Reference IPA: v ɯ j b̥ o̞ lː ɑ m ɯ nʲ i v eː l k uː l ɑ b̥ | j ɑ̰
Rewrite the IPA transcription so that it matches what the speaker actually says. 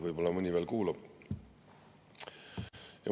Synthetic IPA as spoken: v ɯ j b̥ o̞ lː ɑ m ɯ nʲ i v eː l k uː l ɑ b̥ | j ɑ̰